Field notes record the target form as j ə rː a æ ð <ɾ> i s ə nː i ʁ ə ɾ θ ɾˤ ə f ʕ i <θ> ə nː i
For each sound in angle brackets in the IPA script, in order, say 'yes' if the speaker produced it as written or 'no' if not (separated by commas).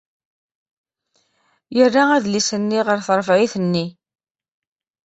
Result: no, yes